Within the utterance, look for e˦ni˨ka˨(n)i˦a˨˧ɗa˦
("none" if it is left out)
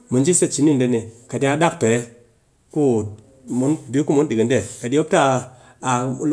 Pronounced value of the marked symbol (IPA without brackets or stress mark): d